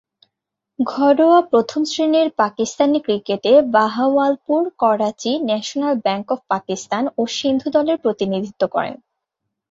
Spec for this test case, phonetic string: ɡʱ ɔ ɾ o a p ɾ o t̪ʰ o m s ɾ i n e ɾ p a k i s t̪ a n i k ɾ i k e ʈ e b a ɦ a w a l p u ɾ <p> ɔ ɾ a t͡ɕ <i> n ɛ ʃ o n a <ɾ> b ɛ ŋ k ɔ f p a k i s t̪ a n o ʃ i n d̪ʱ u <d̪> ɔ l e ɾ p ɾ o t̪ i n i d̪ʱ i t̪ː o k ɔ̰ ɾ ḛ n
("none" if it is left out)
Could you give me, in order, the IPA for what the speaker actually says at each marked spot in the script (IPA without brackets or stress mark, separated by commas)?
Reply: k, i, l, d̪